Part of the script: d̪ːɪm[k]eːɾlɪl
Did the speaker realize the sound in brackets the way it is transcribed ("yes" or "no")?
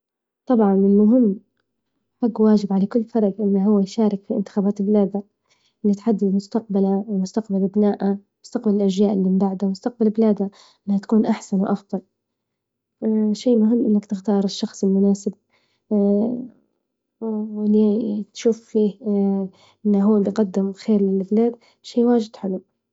no